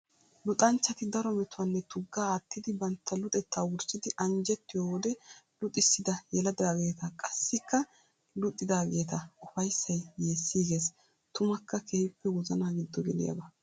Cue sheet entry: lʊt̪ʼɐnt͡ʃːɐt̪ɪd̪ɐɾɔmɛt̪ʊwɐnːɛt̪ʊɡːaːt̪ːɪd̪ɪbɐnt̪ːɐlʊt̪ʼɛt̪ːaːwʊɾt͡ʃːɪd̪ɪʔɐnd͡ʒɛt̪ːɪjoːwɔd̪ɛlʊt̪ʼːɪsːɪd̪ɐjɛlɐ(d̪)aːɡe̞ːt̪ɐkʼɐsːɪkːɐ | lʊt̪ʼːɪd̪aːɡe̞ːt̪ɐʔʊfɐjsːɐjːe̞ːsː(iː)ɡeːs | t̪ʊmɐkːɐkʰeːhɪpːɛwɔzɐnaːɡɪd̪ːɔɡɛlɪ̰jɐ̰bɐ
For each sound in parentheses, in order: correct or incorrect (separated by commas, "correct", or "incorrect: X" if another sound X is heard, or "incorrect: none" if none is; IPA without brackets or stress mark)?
correct, correct